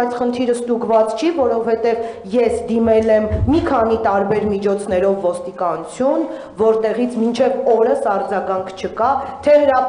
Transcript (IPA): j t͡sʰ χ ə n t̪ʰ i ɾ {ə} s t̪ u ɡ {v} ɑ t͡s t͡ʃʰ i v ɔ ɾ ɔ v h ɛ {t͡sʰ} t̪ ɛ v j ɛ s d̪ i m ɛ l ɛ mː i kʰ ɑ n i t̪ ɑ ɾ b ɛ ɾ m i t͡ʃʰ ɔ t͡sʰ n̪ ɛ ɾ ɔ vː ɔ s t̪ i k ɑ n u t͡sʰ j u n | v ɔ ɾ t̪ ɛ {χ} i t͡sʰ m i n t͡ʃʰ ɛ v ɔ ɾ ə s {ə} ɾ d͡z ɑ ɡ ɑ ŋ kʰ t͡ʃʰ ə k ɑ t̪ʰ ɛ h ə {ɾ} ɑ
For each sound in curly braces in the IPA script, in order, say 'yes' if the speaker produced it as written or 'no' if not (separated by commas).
yes, yes, no, no, no, yes